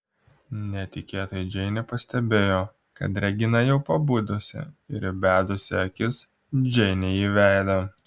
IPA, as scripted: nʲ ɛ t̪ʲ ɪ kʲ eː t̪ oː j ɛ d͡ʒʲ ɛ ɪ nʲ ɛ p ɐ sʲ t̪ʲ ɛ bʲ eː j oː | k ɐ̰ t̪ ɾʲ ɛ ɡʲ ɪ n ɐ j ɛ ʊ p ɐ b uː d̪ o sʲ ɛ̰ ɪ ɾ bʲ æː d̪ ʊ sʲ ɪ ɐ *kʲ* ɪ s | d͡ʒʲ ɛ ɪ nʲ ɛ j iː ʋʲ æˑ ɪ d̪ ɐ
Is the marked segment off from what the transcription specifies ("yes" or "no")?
no